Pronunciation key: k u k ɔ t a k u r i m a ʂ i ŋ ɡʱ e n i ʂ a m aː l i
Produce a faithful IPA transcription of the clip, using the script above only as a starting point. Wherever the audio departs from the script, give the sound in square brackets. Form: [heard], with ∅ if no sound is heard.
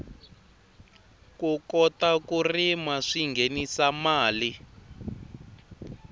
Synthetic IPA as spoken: k u k ɔ t a k u r i m a ʂ i ŋ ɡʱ e n i [s] a m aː l i